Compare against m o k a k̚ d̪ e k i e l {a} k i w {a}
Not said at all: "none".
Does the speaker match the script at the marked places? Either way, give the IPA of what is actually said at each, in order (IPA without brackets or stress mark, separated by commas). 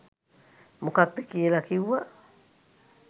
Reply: a, a